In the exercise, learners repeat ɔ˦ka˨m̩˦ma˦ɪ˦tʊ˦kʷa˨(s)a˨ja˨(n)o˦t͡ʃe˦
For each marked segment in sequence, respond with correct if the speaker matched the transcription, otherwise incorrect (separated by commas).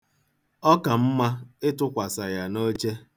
correct, correct